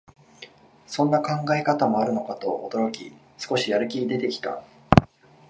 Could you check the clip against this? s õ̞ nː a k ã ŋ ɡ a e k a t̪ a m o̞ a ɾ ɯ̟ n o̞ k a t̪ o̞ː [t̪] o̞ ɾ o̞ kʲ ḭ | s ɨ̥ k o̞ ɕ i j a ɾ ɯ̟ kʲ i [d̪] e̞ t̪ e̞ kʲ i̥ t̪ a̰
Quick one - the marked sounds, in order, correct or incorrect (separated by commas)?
incorrect, correct